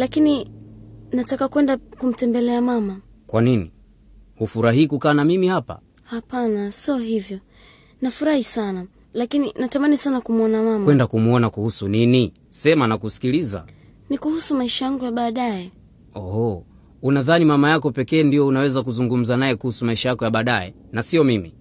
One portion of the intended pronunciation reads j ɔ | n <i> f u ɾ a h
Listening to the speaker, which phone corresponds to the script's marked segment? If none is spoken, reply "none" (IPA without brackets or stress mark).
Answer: a